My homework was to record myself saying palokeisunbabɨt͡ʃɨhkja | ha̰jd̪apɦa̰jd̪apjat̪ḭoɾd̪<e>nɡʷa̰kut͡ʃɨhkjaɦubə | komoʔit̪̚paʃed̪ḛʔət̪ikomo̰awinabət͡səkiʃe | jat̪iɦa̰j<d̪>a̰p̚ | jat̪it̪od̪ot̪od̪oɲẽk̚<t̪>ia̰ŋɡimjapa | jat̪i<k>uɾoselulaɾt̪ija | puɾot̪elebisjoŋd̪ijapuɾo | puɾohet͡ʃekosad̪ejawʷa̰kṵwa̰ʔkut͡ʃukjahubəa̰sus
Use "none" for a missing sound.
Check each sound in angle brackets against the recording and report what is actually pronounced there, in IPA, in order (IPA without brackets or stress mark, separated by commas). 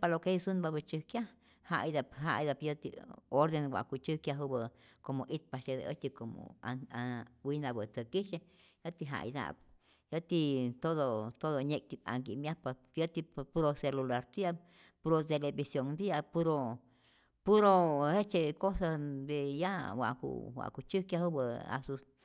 e, d̪, t̪, p